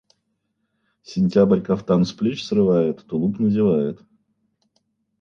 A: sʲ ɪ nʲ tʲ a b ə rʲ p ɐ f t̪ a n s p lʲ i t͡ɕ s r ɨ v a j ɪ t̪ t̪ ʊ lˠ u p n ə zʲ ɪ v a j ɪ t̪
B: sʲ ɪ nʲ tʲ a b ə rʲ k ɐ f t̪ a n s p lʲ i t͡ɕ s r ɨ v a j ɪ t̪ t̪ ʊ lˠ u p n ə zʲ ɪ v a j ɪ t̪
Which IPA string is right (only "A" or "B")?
B